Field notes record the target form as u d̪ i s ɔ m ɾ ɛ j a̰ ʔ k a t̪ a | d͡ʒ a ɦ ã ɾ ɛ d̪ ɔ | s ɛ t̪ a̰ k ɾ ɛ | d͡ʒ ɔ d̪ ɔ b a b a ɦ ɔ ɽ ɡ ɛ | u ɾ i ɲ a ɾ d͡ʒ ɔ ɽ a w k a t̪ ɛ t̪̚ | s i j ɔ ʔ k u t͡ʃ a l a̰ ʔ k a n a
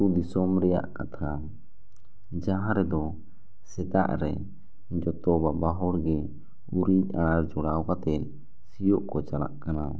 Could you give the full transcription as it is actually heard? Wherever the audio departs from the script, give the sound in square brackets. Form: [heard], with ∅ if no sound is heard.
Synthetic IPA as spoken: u d̪ i s ɔ m ɾ ɛ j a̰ ʔ k a [t̪ʰ] a | d͡ʒ a ɦ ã ɾ ɛ d̪ ɔ | s ɛ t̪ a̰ [ʔ] ɾ ɛ | d͡ʒ ɔ [t̪] ɔ b a b a ɦ ɔ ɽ ɡ ɛ | u ɾ i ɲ a ɾ d͡ʒ ɔ ɽ a w k a t̪ ɛ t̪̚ | s i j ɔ ʔ k [ɔ] t͡ʃ a l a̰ ʔ k a n a